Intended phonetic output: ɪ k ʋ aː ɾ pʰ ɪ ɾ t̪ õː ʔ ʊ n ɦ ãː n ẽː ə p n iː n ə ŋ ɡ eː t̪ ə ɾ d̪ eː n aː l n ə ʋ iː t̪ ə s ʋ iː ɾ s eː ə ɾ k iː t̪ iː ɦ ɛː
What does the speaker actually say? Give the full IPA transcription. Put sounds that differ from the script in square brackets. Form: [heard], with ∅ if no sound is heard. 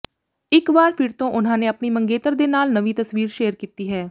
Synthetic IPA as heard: ɪ k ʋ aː ɾ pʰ ɪ ɾ t̪ õː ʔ ʊ n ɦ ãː n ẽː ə p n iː [m] ə ŋ ɡ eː t̪ ə ɾ d̪ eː n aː l n ə ʋ iː t̪ ə s ʋ iː ɾ [ʃ] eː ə ɾ k iː t̪ iː ɦ ɛː